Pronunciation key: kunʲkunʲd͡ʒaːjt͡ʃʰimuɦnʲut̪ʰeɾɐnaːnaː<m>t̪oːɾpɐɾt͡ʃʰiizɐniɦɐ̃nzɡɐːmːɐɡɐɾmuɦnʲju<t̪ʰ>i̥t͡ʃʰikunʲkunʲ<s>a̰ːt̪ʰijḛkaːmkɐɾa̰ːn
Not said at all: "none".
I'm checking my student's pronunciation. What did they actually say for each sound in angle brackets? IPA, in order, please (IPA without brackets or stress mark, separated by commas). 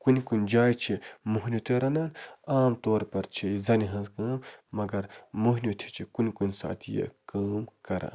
m, t̪ʰ, s